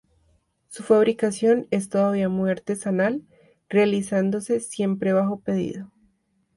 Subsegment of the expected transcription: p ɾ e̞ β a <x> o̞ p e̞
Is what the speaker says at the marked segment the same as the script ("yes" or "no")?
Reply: yes